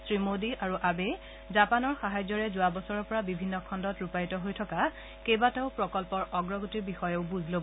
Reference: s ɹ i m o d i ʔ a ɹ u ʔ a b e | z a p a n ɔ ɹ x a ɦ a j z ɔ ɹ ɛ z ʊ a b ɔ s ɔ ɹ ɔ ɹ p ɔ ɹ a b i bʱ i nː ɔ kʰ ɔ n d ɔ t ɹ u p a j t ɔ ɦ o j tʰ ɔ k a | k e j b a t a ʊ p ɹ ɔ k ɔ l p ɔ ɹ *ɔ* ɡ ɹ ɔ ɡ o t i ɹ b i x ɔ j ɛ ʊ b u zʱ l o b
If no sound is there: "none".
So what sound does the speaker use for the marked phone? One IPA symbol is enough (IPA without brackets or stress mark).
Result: ɔ